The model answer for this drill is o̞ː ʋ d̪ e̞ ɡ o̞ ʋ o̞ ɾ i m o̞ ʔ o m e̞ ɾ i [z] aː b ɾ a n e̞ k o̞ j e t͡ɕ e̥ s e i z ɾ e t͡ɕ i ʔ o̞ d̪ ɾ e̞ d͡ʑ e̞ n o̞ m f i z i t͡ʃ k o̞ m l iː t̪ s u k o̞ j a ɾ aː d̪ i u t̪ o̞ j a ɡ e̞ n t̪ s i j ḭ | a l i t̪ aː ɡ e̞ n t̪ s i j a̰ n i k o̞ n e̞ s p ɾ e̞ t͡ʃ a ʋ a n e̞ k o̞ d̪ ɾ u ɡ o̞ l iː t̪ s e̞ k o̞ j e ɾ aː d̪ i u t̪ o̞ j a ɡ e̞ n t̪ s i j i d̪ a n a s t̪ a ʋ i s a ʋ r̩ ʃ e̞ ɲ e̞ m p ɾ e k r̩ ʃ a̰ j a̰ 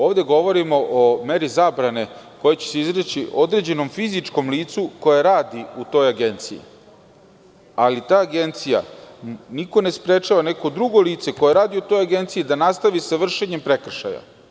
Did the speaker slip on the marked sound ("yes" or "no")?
no